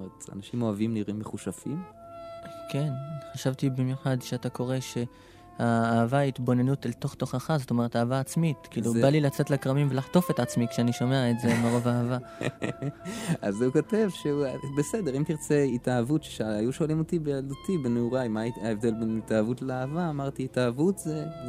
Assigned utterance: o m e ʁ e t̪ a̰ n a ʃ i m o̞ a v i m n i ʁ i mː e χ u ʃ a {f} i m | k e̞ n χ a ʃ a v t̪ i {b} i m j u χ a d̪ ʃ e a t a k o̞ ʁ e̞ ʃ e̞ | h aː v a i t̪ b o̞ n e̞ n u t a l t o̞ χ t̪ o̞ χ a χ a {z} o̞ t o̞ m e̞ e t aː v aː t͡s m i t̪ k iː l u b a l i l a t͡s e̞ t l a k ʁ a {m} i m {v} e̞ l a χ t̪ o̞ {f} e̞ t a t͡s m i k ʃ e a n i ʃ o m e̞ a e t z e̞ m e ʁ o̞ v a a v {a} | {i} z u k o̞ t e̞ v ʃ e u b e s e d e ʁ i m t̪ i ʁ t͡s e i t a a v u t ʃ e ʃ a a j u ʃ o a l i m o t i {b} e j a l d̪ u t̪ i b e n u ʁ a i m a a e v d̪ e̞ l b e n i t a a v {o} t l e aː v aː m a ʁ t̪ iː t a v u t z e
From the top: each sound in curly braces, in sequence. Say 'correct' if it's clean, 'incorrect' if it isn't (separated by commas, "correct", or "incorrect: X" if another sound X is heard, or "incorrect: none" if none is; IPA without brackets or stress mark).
correct, correct, correct, correct, correct, correct, correct, incorrect: a, correct, incorrect: u